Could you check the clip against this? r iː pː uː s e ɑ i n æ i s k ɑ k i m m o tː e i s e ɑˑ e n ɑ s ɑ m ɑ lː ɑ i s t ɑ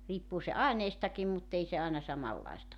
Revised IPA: r iː pː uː s e ɑ i n e i s t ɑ k i m m u tː e i s e ɑˑ e n ɑ s ɑ m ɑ lː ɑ i s t ɑ